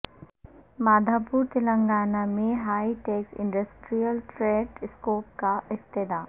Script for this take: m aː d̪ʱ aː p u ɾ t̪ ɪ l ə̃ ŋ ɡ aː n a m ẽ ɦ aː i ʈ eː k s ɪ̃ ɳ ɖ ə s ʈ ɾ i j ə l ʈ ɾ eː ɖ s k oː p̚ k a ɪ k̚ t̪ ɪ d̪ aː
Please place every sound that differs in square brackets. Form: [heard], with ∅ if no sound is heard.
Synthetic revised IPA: m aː d̪ʱ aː p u ɾ t̪ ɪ l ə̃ ŋ ɡ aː n a m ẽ ɦ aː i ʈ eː k s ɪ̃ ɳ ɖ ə s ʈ ɾ i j ə l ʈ ɾ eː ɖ s k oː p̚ k a ɪ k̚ t̪ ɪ d̪ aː